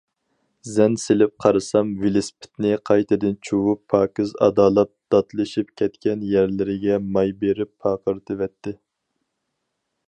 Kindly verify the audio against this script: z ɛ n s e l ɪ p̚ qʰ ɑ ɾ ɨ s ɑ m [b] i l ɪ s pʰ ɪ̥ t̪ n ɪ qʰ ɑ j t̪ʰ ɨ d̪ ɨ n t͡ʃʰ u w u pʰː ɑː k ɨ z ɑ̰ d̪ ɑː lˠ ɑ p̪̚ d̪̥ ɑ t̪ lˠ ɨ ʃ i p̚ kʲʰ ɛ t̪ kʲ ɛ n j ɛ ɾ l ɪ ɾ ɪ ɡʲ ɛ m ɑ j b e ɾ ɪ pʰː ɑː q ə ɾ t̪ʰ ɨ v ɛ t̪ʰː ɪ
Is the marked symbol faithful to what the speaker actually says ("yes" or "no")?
no